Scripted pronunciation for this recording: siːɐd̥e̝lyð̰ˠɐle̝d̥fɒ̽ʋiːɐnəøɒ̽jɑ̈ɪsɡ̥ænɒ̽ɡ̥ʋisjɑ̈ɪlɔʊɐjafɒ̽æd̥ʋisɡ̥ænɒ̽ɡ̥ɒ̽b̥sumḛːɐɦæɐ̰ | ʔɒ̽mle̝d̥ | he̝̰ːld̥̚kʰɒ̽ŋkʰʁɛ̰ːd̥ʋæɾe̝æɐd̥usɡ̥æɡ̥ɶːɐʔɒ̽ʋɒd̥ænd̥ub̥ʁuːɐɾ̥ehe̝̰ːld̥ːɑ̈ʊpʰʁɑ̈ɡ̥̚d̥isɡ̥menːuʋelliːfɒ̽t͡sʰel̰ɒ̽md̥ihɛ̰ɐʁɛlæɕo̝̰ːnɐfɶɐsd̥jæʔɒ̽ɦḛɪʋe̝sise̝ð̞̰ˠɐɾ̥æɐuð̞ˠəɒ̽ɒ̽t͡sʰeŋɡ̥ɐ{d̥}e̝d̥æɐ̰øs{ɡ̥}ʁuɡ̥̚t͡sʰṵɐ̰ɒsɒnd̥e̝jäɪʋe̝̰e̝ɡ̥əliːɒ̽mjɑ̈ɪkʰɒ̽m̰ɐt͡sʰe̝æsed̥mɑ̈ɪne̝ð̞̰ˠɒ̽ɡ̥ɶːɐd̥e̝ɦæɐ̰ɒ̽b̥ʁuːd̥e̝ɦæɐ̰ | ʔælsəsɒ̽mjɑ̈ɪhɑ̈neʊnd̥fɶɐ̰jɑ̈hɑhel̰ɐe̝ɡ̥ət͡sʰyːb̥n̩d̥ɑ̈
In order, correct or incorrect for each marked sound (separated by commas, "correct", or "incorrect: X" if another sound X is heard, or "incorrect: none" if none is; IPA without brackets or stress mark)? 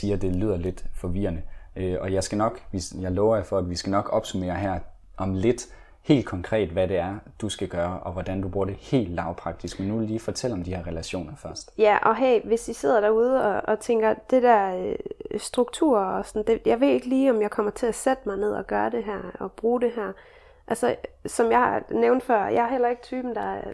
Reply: correct, incorrect: d̥